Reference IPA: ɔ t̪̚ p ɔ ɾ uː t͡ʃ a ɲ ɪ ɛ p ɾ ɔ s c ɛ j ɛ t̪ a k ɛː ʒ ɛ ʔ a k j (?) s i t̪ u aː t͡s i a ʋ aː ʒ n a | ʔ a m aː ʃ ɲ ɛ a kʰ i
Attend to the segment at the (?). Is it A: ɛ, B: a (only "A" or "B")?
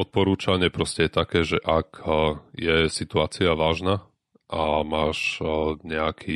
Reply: A